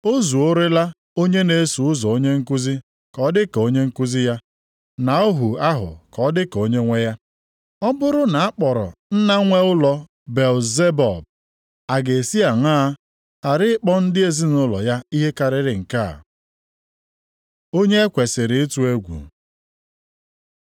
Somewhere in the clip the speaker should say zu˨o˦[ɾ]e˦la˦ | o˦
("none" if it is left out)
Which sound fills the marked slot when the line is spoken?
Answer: ɾ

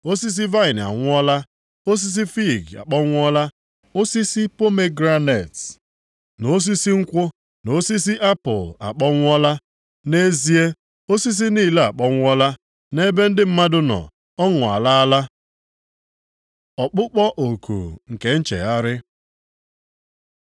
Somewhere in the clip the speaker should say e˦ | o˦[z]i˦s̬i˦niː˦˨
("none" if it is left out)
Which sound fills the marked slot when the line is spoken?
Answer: s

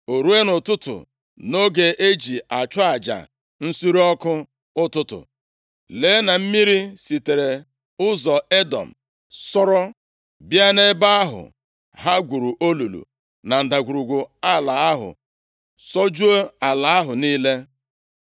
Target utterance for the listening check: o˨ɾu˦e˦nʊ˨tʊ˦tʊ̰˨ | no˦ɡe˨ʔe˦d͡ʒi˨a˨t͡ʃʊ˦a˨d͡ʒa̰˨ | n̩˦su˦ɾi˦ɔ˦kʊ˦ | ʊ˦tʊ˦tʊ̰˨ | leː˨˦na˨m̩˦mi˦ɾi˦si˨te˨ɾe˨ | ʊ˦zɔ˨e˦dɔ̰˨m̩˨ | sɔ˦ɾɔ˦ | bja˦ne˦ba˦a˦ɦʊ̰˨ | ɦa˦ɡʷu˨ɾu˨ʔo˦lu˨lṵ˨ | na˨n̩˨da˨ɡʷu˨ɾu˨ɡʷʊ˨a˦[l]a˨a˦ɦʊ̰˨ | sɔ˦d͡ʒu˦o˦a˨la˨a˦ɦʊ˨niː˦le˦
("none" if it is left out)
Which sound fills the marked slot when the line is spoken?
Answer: l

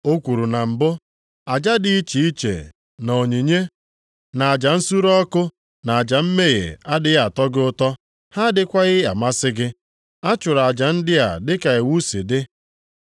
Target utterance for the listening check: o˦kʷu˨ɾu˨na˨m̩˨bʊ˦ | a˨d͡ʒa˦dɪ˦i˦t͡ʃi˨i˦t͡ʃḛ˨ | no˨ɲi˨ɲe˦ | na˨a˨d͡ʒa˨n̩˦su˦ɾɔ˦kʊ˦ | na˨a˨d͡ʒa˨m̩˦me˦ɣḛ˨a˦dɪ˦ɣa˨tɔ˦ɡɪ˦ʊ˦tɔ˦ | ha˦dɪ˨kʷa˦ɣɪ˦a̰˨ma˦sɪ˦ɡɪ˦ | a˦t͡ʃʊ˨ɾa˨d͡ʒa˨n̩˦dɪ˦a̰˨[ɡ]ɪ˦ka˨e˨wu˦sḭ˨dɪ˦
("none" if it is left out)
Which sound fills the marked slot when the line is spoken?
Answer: d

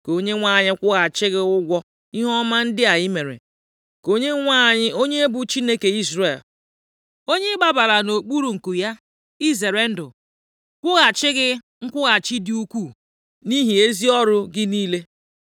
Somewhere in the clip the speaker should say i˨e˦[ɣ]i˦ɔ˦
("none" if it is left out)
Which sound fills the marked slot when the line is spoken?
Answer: z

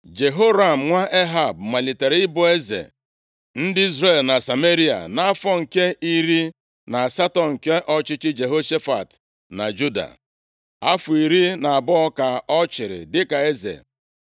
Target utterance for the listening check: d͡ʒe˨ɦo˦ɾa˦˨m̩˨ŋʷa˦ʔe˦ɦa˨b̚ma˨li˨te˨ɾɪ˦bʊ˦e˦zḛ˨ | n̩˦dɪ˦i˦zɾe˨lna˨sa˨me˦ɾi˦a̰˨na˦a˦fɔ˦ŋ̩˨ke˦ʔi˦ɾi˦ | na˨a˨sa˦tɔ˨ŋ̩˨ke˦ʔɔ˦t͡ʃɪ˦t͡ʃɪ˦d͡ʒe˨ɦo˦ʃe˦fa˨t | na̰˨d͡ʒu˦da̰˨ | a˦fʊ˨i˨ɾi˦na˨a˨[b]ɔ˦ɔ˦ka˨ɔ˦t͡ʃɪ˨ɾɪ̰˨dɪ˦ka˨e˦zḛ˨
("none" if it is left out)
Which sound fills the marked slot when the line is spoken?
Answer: b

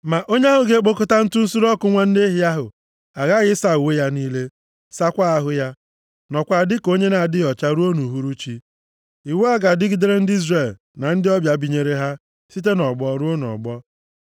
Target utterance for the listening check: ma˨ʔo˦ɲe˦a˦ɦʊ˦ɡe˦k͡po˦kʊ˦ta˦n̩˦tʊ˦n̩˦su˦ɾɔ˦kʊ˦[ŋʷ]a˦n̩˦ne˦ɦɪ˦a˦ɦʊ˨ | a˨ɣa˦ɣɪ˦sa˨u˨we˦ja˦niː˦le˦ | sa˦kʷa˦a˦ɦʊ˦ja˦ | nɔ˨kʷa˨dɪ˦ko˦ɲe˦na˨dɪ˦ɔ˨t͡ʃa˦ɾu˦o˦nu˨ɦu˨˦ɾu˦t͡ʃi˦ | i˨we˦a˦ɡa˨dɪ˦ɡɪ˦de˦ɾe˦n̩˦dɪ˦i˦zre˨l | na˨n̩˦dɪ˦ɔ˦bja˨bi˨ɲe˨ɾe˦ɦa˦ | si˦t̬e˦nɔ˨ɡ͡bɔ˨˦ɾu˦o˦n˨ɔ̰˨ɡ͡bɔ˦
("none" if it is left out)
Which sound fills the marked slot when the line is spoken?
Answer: ŋʷ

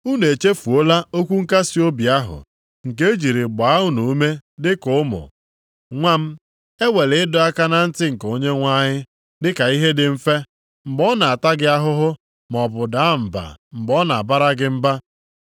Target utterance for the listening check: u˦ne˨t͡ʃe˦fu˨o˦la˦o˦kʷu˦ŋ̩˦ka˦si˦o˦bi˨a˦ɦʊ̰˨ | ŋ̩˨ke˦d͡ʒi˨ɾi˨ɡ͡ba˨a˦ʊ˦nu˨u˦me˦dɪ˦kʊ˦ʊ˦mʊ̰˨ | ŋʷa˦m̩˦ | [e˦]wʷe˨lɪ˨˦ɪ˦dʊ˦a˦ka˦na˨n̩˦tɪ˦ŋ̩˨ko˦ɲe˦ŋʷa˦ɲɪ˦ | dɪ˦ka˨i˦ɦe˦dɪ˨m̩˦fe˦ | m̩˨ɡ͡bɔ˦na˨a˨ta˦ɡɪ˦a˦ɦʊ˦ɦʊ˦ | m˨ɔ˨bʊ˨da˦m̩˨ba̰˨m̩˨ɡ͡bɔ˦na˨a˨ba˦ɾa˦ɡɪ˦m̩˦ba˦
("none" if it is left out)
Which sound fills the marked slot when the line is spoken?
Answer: e˦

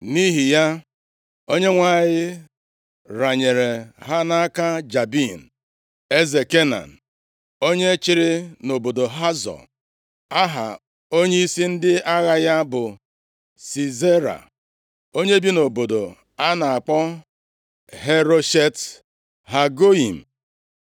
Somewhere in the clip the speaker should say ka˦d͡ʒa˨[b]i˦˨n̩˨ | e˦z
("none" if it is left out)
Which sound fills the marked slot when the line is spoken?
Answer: b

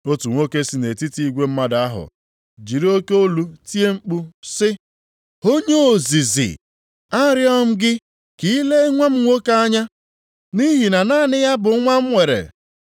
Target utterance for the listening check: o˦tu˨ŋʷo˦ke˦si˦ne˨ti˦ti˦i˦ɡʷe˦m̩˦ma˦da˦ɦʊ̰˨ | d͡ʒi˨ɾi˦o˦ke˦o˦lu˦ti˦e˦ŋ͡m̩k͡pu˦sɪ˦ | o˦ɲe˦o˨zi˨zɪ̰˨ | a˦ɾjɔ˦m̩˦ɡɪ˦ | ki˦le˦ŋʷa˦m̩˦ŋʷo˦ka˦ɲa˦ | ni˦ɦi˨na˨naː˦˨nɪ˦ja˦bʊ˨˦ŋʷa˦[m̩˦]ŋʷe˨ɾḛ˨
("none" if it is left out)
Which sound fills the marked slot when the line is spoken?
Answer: m̩˦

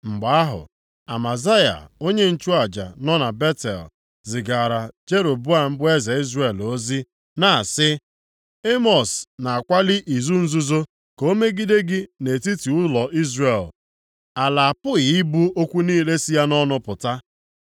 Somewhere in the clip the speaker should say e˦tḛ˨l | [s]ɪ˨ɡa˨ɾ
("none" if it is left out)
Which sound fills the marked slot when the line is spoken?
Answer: z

